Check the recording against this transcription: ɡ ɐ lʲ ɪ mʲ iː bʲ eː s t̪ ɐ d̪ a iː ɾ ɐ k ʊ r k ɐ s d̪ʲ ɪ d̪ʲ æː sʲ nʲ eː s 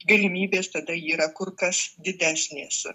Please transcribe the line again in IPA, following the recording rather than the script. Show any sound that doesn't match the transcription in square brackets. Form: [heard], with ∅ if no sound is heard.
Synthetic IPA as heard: ɡ ɐ lʲ ɪ mʲ iː bʲ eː s t̪ ɐ d̪ [ɐ] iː ɾ ɐ k ʊ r k ɐ s d̪ʲ ɪ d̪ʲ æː sʲ nʲ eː s